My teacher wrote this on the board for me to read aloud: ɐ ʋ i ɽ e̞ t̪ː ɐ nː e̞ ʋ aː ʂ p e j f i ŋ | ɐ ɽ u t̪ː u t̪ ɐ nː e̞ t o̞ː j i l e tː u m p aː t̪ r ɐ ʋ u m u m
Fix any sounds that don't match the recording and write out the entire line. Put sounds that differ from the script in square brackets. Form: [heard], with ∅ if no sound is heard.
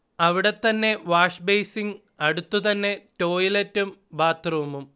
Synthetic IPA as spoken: ɐ ʋ i ɽ e̞ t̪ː ɐ nː e̞ ʋ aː ʂ [b] e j [s] i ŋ | ɐ ɽ u t̪ː u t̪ ɐ nː e̞ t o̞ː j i l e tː u m [b] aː t̪ r ɐ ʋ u m u m